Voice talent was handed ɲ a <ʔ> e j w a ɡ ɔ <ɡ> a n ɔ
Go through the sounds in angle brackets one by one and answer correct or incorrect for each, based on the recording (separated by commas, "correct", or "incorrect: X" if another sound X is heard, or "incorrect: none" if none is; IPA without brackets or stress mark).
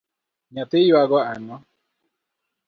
incorrect: t, incorrect: none